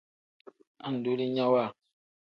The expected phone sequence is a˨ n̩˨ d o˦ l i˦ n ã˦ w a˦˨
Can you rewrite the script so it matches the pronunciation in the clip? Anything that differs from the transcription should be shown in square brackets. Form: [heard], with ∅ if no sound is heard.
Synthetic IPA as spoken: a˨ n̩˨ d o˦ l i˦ [ɲ] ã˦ w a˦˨